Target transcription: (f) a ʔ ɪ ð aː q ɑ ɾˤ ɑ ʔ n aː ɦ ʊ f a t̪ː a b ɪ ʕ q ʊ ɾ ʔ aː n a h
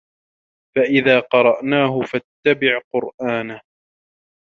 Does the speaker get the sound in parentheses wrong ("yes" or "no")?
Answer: no